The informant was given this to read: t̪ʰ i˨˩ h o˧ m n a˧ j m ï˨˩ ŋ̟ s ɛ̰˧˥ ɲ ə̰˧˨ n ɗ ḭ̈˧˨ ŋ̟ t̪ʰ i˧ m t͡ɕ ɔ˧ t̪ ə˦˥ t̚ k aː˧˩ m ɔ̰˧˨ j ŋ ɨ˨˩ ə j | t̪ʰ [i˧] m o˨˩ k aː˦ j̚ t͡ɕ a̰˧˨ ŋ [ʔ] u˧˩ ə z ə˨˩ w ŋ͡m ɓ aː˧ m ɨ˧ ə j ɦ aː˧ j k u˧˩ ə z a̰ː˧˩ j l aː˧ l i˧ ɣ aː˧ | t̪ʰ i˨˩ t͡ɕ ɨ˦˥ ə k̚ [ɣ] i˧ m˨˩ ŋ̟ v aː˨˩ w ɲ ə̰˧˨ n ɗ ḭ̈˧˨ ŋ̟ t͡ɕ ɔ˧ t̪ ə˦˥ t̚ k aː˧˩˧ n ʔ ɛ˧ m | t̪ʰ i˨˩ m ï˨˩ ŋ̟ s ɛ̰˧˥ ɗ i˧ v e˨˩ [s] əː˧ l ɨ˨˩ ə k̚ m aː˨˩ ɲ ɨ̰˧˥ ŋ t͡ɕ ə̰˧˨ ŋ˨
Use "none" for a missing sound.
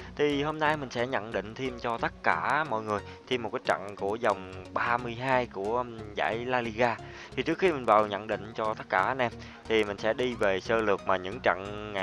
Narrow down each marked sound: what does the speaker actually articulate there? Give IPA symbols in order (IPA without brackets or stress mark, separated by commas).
i˧, k, x, s